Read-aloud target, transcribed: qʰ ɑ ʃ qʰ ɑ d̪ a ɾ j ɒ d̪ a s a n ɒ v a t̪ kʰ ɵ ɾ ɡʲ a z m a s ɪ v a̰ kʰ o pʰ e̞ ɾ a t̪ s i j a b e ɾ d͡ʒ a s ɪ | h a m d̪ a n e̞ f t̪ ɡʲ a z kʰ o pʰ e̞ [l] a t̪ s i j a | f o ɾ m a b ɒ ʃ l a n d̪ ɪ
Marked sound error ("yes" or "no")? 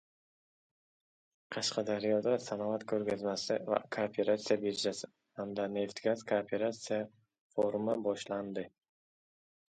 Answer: yes